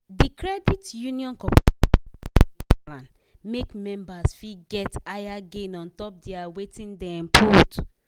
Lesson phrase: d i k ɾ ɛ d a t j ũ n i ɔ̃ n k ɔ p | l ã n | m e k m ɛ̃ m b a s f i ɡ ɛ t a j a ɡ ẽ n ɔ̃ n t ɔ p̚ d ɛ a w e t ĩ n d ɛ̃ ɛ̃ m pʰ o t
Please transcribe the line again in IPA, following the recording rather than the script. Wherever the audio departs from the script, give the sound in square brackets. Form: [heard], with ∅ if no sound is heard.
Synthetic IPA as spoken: d i k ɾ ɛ d [i] t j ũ n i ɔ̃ n k ɔ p | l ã n | m e k m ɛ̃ m b a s f i ɡ ɛ t a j a ɡ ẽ n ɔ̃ n t ɔ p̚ d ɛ a w e t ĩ n d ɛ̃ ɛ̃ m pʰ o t